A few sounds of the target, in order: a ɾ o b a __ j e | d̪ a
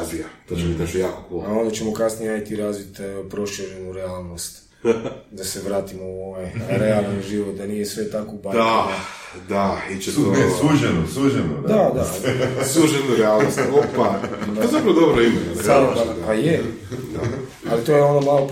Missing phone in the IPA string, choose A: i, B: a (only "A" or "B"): B